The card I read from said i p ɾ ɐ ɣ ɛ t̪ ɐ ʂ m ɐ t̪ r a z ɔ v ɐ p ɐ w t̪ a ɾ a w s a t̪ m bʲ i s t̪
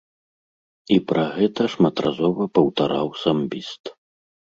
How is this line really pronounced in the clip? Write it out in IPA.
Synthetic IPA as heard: i p ɾ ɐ ɣ ɛ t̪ ɐ ʂ m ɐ t̪ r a z ɔ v ɐ p ɐ w t̪ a ɾ a w s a m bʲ i s t̪